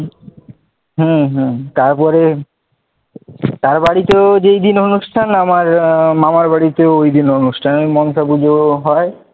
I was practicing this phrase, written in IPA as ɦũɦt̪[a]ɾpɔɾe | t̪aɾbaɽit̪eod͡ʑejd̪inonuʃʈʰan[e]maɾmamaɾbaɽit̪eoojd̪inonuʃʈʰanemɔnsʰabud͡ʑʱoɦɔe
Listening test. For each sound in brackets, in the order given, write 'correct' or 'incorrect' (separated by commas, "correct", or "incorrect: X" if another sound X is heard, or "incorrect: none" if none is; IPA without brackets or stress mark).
correct, incorrect: a